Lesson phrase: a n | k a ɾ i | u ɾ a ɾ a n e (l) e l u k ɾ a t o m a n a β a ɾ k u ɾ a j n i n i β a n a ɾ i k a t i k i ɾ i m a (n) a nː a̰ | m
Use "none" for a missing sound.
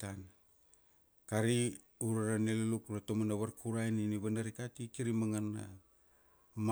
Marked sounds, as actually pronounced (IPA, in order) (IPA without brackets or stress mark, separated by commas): l, ŋ